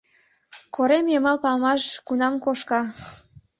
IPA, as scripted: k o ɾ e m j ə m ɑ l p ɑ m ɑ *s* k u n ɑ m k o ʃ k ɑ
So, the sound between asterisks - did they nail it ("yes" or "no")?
no